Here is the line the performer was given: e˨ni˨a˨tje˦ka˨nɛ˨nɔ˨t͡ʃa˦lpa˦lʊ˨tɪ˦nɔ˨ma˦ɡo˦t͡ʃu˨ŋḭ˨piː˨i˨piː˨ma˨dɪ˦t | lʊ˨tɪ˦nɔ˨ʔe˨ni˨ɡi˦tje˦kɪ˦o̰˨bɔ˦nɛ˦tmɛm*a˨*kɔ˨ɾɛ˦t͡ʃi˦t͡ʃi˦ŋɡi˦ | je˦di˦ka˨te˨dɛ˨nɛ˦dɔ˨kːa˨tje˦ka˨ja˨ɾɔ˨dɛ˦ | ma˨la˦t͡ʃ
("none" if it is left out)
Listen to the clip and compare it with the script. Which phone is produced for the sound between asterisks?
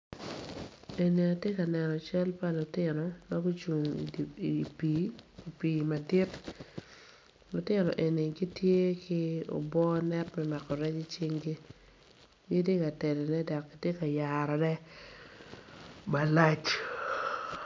a˨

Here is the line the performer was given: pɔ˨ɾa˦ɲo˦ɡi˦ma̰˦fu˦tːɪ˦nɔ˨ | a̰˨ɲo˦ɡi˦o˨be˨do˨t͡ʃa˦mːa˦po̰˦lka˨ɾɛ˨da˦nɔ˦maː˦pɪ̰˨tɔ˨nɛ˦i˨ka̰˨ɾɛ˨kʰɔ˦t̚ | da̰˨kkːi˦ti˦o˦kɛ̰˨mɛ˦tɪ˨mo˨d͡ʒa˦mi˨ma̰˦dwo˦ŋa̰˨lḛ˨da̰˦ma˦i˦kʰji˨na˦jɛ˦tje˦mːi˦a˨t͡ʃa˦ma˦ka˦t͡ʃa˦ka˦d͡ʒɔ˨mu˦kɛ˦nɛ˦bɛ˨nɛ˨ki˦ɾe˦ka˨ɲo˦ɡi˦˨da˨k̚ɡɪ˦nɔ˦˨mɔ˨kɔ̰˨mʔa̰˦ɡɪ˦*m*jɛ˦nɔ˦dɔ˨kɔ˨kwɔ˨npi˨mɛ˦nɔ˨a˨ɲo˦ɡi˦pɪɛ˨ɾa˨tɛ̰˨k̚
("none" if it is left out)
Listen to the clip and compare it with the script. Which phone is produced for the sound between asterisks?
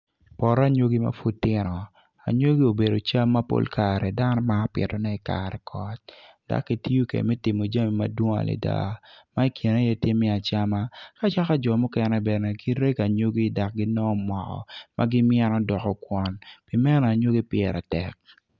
m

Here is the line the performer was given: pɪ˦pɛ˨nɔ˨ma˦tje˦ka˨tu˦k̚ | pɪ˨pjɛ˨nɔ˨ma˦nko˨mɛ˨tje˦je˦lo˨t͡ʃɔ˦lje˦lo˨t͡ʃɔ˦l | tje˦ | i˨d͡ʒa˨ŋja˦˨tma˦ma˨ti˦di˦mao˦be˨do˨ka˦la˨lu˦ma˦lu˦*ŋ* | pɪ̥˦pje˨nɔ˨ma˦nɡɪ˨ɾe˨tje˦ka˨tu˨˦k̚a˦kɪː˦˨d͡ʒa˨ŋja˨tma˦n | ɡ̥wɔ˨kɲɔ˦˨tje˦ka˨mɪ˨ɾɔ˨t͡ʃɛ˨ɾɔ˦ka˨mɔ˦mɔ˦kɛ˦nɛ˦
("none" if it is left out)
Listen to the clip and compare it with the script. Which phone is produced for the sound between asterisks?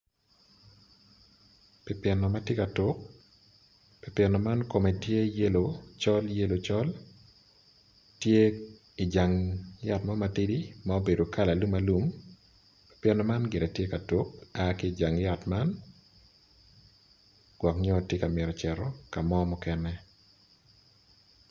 m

